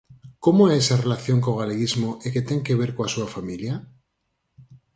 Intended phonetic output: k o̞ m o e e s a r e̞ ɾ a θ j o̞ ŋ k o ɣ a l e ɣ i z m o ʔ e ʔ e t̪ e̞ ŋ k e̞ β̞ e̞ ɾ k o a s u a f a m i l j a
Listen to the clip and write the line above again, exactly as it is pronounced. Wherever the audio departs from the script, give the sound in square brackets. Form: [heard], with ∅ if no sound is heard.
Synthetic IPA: k o̞ m o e e s a r e̞ [l] a θ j o̞ ŋ k o ɣ a l e ɣ i z m o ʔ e [k] e t̪ e̞ ŋ k e̞ β̞ e̞ ɾ k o a s u a f a m i l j a